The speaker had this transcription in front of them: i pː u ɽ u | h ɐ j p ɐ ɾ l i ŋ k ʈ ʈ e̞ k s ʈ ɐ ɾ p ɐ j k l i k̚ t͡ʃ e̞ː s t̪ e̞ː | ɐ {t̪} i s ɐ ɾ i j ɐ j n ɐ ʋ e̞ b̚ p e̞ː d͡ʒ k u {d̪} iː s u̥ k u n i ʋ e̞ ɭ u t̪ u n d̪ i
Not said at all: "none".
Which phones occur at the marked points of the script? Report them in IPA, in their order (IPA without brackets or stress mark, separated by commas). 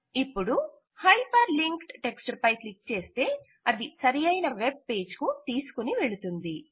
d̪, t̪